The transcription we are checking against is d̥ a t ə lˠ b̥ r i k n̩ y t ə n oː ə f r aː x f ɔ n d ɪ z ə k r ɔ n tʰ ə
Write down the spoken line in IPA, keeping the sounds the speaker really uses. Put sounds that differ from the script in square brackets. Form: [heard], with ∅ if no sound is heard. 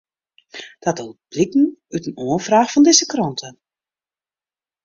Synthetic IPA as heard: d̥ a t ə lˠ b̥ [l] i k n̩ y t ə n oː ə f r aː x f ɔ n d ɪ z ə k r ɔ n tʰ ə